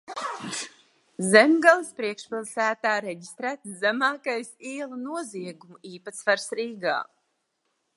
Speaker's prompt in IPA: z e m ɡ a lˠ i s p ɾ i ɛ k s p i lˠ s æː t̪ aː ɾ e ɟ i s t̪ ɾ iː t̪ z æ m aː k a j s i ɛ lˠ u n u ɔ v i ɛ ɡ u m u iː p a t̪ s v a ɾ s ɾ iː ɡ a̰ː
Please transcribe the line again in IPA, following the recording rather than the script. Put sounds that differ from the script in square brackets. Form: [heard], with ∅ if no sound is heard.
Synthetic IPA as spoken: z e m ɡ a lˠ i s p ɾ i ɛ k [ʃ] p i lˠ s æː t̪ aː ɾ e ɟ i s t̪ ɾ [æː] t̪ z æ m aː k a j s i ɛ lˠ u n u ɔ [z] i ɛ ɡ u m u iː p a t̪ s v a ɾ s ɾ iː ɡ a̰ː